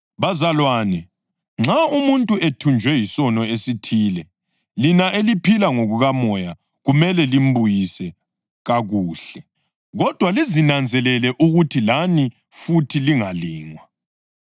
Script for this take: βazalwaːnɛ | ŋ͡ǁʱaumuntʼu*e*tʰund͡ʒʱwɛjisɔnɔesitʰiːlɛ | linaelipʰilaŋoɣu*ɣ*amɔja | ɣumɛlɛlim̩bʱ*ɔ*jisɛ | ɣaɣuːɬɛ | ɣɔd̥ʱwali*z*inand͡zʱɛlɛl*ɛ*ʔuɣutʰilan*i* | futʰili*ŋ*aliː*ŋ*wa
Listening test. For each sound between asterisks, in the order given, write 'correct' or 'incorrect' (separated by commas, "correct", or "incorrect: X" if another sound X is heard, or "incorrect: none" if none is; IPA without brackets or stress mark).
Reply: correct, correct, incorrect: u, correct, correct, correct, correct, correct